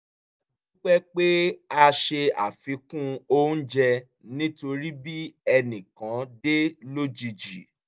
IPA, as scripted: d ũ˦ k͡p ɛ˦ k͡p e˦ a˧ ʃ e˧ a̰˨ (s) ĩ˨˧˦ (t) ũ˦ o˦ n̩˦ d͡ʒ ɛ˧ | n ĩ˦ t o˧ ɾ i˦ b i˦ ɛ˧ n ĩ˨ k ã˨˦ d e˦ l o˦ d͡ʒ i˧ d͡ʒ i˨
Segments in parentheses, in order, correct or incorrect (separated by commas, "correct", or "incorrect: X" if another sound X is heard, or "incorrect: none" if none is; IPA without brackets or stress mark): incorrect: f, incorrect: k